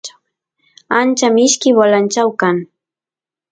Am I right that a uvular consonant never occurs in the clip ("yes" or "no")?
yes